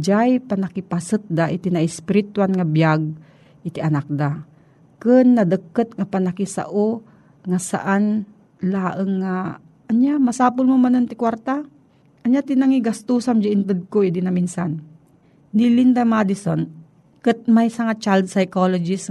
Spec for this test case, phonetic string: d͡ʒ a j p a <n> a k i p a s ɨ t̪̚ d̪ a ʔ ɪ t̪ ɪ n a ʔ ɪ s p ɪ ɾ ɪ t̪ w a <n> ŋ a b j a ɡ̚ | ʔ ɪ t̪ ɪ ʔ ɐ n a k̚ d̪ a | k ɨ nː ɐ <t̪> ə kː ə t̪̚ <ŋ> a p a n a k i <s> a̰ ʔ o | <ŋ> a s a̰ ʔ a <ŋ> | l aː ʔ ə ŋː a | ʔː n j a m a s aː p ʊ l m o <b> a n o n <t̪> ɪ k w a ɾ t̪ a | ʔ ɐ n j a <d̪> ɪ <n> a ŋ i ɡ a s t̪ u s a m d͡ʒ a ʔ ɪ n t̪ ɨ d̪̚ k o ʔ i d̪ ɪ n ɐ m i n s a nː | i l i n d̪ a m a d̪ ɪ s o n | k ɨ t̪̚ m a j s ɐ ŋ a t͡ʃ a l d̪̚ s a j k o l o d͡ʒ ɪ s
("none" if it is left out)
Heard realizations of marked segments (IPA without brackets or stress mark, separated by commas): n, n, d̪, ŋ, s, ŋ, n, m, t̪, t̪, n